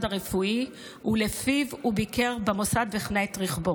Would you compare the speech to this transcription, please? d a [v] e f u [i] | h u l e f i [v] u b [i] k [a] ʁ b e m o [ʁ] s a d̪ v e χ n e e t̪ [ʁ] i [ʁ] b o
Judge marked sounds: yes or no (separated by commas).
no, yes, yes, yes, no, no, yes, no